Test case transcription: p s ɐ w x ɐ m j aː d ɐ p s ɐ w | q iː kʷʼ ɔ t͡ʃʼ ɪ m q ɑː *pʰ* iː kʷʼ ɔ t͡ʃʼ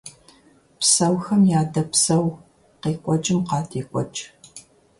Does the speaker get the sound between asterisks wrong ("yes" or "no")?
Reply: yes